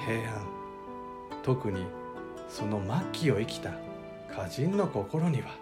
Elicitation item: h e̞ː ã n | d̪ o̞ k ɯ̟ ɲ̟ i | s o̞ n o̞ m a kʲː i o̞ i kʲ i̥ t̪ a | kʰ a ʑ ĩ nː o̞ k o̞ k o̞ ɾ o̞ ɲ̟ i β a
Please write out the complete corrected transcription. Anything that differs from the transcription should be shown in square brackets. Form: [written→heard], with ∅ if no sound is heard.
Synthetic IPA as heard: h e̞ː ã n | [d̪→t̪] o̞ k ɯ̟ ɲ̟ i | s o̞ n o̞ m a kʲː i o̞ i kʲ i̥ t̪ a | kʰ a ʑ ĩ nː o̞ k o̞ k o̞ ɾ o̞ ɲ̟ i β a